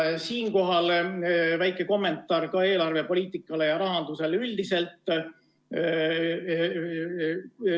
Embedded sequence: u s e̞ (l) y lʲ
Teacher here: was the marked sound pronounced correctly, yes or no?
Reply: yes